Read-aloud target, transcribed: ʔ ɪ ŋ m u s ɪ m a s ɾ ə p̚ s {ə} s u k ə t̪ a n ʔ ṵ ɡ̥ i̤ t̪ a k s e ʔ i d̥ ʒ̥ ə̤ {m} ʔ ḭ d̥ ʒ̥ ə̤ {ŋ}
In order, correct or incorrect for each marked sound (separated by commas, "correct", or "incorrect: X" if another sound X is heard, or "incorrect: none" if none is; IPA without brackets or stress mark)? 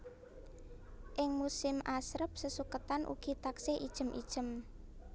correct, correct, incorrect: m